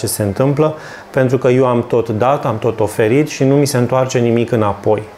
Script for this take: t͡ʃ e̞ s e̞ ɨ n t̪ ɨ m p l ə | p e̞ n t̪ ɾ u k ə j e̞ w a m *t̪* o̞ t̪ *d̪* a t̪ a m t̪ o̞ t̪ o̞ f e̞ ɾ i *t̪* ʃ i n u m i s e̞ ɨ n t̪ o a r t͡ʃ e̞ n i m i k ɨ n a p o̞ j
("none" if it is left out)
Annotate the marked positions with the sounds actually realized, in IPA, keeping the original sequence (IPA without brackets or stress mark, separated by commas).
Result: t̪, d̪, t̪